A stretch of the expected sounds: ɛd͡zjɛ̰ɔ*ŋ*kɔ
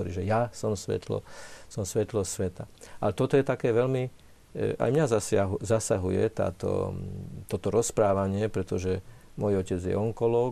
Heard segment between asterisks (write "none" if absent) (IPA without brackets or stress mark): ŋ